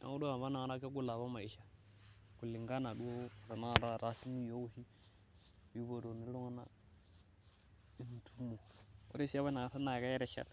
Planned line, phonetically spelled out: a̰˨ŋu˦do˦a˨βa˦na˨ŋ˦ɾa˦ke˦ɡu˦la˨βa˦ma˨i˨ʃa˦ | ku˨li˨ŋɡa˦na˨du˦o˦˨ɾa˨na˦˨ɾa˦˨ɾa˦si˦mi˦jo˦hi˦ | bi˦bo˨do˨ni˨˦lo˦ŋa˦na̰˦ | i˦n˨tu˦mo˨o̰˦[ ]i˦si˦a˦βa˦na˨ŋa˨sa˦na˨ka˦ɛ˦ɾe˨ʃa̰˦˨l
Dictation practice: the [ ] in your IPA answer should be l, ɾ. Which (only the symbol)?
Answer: ɾ